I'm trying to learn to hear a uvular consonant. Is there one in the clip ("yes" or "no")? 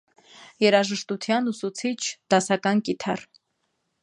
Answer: no